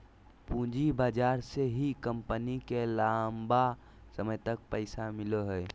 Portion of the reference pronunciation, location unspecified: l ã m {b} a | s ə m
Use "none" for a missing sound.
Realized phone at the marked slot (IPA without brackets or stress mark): b